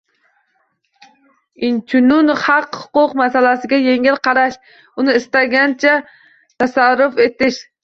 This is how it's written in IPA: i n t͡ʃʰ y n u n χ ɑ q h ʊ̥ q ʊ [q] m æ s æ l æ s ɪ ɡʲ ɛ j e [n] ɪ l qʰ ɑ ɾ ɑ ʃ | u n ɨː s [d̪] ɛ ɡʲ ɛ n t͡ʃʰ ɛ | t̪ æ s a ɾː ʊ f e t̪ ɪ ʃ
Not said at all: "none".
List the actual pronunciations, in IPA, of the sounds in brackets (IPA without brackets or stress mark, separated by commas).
q, ŋ, t̪